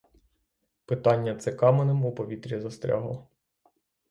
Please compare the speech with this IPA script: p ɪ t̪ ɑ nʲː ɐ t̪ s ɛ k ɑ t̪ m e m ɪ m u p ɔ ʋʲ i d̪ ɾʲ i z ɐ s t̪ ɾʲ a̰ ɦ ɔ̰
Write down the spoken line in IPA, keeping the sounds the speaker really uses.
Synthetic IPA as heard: p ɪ t̪ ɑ nʲː ɐ t̪ s ɛ k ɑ m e n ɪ m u p ɔ ʋʲ i t̪ ɾʲ i z ɐ s t̪ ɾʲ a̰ ɦ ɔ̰